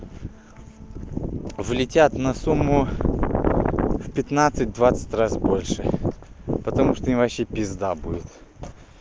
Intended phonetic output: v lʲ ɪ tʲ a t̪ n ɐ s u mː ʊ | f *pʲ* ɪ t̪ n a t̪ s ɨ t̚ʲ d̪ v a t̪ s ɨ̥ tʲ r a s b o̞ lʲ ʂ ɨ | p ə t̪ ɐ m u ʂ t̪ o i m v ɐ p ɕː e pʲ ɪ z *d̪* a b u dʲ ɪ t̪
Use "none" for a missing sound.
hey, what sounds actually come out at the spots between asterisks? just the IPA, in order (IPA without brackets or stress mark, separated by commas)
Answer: pʲ, d̪